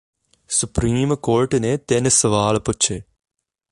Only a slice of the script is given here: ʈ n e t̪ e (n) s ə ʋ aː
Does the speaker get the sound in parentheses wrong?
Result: no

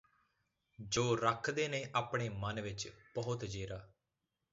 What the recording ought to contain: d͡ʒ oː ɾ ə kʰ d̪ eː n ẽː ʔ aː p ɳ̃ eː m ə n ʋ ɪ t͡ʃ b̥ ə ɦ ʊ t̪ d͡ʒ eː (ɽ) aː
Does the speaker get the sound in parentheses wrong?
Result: yes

